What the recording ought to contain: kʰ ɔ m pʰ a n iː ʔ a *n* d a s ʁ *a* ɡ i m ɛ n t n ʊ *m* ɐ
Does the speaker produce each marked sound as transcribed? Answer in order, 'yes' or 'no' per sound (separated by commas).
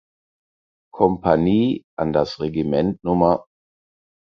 yes, no, yes